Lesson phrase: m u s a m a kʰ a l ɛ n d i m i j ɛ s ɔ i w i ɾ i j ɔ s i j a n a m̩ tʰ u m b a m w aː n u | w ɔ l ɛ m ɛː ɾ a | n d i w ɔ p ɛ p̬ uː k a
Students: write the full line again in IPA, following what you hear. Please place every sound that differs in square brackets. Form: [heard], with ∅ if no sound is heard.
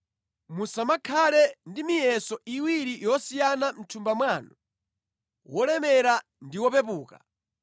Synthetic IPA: m u s a m a kʰ a l ɛ n d i m i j ɛ s ɔ i w i ɾ i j ɔ s i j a n a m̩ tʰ u m b a m w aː n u | w ɔ l ɛ m [ɛ] ɾ a | n d i w ɔ p ɛ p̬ uː k a

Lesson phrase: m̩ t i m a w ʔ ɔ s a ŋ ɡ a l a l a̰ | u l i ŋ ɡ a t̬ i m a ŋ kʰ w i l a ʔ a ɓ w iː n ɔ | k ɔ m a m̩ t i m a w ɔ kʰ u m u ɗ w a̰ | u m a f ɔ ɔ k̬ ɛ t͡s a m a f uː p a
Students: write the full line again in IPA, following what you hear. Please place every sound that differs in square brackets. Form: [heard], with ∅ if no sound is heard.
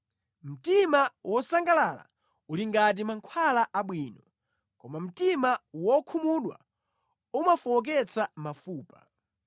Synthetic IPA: m̩ t i m a w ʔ ɔ s a ŋ ɡ a l a l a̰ | u l i ŋ ɡ a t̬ i m a ŋ kʰ w [a] l a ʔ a ɓ w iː n ɔ | k ɔ m a m̩ t i m a w ɔ kʰ u m u ɗ w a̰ | u m a f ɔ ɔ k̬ ɛ t͡s a m a f uː p a

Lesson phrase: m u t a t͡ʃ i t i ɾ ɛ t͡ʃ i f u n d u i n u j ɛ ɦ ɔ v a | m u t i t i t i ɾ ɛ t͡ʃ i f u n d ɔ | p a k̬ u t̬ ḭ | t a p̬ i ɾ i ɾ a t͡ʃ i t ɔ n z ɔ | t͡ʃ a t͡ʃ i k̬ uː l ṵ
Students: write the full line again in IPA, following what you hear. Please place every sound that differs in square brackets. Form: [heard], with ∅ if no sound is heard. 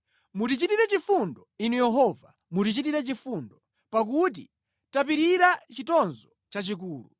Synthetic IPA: m u t [i] t͡ʃ i t i ɾ ɛ t͡ʃ i f u n d [ɔ] i n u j ɛ ɦ ɔ v a | m u t i [t͡ʃ] i t i ɾ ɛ t͡ʃ i f u n d ɔ | p a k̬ u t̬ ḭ | t a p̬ i ɾ i ɾ a t͡ʃ i t ɔ n z ɔ | t͡ʃ a t͡ʃ i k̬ uː l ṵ

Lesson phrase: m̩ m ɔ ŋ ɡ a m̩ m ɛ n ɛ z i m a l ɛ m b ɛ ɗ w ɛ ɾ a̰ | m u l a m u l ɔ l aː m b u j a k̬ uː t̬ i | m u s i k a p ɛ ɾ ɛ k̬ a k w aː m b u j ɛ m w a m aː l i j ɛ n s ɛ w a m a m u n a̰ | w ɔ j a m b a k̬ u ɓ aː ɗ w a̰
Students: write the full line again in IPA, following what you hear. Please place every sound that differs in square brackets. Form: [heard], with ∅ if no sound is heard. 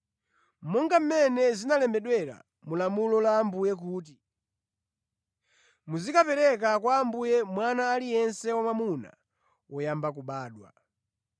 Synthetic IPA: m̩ m ɔ ŋ ɡ a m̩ m ɛ n ɛ z i [n] a l ɛ m b ɛ ɗ w ɛ ɾ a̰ | m u l a m u l ɔ l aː m b u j [ɛ] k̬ uː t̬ i | m u [z] i k a p ɛ ɾ ɛ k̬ a k w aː m b u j ɛ m w a [n] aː l i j ɛ n s ɛ w a m a m u n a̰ | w ɔ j a m b a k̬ u ɓ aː ɗ w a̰

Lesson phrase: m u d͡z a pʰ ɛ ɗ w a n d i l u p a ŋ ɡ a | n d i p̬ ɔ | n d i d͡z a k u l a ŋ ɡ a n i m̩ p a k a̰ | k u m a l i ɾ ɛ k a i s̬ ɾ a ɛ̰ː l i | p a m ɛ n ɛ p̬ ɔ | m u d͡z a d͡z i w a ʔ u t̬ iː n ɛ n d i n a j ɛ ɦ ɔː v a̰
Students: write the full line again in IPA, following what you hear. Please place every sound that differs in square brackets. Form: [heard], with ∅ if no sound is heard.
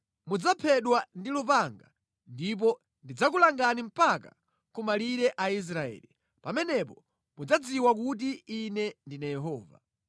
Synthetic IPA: m u d͡z a pʰ ɛ ɗ w a n d i l u p a ŋ ɡ a | n d i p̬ ɔ | n d i d͡z a k u l a ŋ ɡ a n i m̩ p a k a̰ | k u m a l i ɾ ɛ [ʔ] a i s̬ ɾ a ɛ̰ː l i | p a m ɛ n ɛ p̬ ɔ | m u d͡z a d͡z i w a [k] u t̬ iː n ɛ n d i n a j ɛ ɦ ɔː v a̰

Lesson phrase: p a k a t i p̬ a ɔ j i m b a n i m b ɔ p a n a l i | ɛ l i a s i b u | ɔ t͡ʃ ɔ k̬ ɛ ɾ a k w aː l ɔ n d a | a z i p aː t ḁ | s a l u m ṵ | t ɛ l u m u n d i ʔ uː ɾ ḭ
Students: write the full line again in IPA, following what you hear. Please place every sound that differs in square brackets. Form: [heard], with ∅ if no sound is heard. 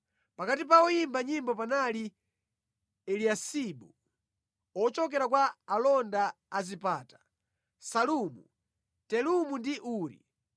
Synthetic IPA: p a k a t i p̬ a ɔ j i m b a [ɲ] i m b ɔ p a n a l i | ɛ l i a s i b u | ɔ t͡ʃ ɔ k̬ ɛ ɾ a k w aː l ɔ n d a | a z i p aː t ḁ | s a l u m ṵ | t ɛ l u m u n d i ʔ uː ɾ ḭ

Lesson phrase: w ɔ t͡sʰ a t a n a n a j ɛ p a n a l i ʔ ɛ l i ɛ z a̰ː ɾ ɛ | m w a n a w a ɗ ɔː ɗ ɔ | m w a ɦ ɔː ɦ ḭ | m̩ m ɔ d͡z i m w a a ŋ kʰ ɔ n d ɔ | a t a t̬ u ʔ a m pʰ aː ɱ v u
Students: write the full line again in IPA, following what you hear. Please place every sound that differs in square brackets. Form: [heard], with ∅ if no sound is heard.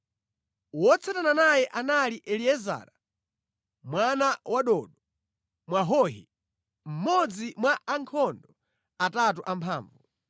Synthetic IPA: w ɔ t͡sʰ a t a n a n a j ɛ [ʔ] a n a l i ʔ ɛ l i ɛ z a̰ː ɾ [a] | m w a n a w a ɗ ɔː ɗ ɔ | m w a ɦ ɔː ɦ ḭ | m̩ m ɔ d͡z i m w a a ŋ kʰ ɔ n d ɔ | a t a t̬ u ʔ a m pʰ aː ɱ v u

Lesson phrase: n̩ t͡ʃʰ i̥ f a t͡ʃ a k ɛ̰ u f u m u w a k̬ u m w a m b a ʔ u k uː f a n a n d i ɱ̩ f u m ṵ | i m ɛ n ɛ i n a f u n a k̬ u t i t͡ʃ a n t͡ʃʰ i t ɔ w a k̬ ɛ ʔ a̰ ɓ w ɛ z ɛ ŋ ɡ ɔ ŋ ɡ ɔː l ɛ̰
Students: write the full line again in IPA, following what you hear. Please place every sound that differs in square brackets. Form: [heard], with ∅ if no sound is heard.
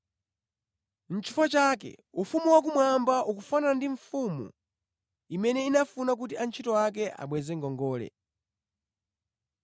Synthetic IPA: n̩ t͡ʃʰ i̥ f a t͡ʃ a k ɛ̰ u f u m u w a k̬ u m w a m b a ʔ u k [u] f a n a n d i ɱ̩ f u m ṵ | i m ɛ n ɛ i n a f u n a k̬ u t i [∅] a n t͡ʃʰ i t ɔ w a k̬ ɛ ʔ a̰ ɓ w ɛ z ɛ ŋ ɡ ɔ ŋ ɡ ɔː l ɛ̰

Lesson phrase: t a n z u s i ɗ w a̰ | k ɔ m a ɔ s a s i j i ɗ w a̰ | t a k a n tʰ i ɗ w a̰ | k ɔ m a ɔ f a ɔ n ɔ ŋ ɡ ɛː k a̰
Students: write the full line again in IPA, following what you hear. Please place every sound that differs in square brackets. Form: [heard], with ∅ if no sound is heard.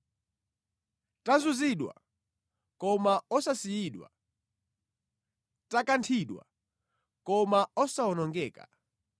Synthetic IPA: t a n z u [z] i ɗ w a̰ | k ɔ m a ɔ s a s i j i ɗ w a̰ | t a k a n tʰ i ɗ w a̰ | k ɔ m a ɔ [s] a ɔ n ɔ ŋ ɡ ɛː k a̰

